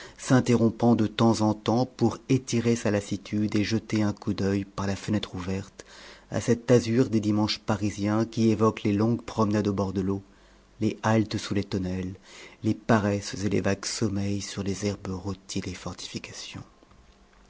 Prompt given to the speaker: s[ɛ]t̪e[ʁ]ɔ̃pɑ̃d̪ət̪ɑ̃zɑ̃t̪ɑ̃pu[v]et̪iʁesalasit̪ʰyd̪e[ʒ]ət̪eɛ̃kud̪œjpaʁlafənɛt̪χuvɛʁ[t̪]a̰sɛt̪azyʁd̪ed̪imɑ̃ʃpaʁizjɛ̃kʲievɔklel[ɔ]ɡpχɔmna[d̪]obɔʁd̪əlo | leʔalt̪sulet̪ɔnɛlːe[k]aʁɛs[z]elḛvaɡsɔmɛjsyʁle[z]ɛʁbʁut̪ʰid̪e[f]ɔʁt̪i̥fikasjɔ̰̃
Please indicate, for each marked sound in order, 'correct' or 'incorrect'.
incorrect, correct, incorrect, correct, correct, incorrect, correct, incorrect, correct, correct, correct

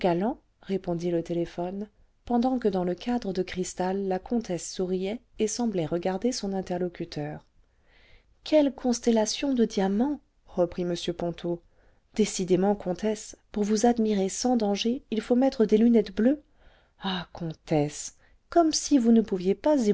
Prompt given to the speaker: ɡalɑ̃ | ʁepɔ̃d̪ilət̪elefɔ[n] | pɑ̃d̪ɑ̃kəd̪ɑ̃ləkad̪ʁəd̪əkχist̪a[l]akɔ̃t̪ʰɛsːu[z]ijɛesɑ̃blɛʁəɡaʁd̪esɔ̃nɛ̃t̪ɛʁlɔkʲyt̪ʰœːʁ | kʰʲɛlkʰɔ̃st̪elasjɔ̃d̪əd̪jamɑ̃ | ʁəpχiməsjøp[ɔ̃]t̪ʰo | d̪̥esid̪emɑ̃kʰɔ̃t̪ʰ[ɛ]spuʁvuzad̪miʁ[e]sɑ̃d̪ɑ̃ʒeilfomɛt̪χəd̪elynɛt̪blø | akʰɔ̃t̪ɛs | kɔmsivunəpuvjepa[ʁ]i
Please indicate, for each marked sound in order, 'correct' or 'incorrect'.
correct, incorrect, incorrect, correct, correct, correct, incorrect

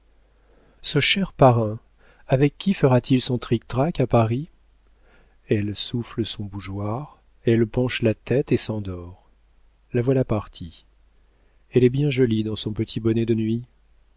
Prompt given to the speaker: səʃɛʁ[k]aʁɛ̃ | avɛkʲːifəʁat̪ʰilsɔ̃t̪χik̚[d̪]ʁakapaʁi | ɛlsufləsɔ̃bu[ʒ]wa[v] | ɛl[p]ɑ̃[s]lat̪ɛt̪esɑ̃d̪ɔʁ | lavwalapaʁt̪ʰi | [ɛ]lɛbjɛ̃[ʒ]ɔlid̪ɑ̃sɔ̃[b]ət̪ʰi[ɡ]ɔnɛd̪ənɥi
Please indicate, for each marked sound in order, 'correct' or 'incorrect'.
incorrect, incorrect, correct, incorrect, correct, incorrect, correct, correct, incorrect, incorrect

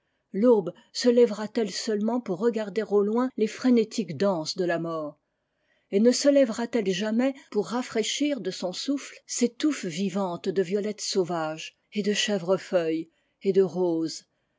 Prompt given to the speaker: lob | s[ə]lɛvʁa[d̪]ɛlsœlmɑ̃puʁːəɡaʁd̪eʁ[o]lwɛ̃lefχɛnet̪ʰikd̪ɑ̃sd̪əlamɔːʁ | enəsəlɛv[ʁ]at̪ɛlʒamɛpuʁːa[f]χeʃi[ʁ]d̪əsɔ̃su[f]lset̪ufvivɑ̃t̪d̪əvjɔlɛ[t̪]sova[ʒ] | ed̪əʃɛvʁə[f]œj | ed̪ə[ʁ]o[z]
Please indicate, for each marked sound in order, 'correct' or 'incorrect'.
correct, incorrect, correct, correct, correct, correct, correct, correct, correct, correct, correct, correct

